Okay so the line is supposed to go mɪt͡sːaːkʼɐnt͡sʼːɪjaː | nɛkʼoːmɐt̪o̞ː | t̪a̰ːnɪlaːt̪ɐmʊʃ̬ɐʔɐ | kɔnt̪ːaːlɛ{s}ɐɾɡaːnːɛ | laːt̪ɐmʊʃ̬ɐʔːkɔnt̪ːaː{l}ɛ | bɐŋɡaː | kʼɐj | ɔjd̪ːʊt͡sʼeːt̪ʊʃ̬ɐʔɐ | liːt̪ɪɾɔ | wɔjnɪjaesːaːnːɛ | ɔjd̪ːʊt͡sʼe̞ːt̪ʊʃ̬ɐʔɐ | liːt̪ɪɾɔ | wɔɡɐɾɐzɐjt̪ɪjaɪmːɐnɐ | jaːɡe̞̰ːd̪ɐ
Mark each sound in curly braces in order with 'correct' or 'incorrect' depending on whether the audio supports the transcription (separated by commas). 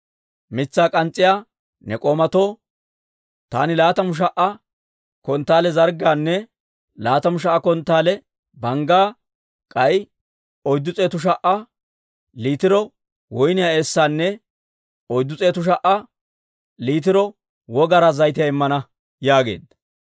incorrect, correct